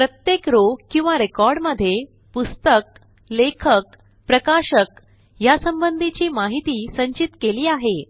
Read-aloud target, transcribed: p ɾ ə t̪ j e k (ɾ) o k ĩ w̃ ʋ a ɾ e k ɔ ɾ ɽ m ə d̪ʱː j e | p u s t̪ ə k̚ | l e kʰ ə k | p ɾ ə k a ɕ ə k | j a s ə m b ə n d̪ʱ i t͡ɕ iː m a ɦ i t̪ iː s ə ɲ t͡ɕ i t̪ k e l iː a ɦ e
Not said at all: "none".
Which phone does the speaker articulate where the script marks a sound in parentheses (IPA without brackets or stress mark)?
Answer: ɾ